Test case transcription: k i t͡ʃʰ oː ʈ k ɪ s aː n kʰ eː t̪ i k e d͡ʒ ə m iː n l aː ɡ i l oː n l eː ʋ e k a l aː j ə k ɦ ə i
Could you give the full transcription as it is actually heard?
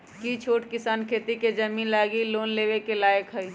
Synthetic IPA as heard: k i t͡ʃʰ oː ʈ k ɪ s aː n kʰ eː t̪ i k e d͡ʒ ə m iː n l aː ɡ i l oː n l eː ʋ e k e l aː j ə k ɦ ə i